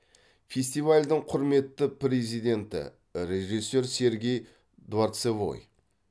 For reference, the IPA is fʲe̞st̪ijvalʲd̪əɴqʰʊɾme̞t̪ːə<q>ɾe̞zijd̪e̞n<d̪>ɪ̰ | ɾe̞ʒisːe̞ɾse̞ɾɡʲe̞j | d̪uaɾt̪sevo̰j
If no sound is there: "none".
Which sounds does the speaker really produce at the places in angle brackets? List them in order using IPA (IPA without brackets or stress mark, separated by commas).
p, t̪